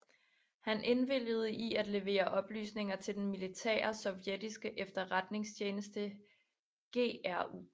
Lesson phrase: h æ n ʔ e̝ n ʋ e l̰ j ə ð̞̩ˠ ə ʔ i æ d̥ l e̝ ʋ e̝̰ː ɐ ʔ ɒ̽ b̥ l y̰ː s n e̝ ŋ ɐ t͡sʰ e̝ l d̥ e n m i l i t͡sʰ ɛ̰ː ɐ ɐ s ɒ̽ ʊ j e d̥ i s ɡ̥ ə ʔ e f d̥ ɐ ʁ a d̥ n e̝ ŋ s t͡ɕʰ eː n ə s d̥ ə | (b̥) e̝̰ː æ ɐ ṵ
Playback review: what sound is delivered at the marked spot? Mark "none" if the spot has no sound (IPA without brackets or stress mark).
ɡ̥